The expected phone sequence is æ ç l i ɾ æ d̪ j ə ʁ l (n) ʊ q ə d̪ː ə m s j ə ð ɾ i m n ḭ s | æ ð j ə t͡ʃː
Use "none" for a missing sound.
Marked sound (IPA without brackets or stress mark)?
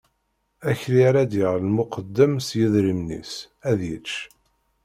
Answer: m